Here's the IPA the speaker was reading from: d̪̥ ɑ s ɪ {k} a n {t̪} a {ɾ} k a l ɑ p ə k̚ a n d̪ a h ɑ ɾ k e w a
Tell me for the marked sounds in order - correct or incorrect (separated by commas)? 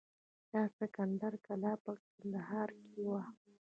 correct, incorrect, correct